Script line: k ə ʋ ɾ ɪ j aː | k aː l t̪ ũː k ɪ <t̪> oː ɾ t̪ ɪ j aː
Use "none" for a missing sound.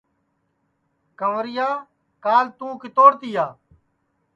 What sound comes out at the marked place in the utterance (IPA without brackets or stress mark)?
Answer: t̪